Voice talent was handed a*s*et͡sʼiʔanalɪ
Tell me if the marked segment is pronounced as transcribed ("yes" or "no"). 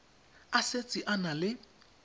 yes